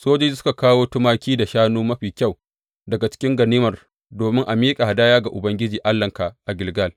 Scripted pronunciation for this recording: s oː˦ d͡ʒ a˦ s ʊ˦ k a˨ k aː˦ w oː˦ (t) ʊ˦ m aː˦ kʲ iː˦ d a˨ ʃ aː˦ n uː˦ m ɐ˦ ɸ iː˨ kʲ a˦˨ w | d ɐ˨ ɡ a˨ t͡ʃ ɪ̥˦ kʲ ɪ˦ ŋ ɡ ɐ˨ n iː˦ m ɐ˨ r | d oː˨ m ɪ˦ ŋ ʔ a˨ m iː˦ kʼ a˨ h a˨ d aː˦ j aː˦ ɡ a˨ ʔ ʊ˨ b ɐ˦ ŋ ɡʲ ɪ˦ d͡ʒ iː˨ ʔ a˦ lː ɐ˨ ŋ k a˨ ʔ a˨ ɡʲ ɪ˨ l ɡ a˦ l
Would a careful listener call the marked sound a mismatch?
no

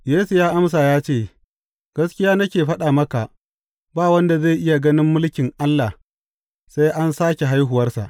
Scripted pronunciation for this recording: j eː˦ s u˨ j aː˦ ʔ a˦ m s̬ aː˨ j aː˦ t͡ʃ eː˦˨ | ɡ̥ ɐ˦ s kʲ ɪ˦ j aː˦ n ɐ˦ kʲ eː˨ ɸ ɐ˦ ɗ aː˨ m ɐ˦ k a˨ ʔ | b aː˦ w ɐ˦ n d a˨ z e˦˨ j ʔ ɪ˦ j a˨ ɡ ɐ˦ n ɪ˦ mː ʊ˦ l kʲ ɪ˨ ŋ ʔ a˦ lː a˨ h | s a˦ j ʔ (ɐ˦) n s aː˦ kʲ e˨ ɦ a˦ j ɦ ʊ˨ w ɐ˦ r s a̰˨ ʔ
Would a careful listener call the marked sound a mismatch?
yes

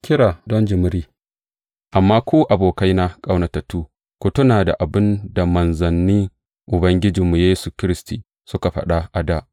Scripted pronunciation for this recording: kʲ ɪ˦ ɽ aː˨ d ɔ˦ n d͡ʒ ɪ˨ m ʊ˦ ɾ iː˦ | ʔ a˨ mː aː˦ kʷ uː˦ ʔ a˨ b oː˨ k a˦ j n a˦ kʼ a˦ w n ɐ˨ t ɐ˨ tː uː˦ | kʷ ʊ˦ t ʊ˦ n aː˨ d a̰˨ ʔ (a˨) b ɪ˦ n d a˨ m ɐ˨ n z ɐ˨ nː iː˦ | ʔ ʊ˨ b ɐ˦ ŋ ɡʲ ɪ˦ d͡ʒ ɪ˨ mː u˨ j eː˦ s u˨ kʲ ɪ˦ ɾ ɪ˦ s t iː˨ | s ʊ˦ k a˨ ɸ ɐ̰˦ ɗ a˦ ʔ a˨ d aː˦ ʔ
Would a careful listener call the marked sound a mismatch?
no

